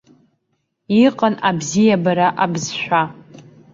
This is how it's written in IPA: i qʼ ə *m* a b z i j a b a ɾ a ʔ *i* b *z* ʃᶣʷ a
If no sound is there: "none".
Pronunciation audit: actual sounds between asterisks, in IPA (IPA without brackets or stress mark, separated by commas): n, a, z